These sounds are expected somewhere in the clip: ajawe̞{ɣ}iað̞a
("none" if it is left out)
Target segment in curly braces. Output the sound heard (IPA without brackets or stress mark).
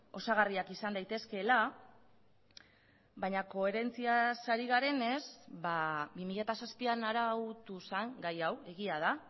ɣ